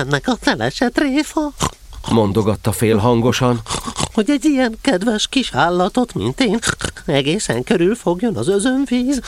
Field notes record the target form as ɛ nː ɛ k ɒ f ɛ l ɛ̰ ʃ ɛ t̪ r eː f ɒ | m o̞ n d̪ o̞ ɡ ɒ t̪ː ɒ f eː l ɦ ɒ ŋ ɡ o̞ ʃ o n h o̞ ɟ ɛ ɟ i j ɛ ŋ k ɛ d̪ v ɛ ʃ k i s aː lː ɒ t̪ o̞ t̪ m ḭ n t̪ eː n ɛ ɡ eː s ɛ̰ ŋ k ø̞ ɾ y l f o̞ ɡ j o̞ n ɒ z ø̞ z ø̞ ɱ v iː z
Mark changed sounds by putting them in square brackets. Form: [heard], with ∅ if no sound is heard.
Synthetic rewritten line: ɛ nː ɛ k ɒ f ɛ l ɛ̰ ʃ ɛ t̪ r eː f ɒ | m o̞ n d̪ o̞ ɡ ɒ t̪ː ɒ f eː l ɦ ɒ ŋ ɡ o̞ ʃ [ɒ] n h o̞ ɟ ɛ ɟ i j ɛ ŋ k ɛ d̪ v ɛ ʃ k i [ʃ] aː lː ɒ t̪ o̞ t̪ m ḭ n t̪ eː n ɛ ɡ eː s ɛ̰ ŋ k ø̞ ɾ y l f o̞ ɡ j o̞ n ɒ z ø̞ z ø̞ ɱ v iː z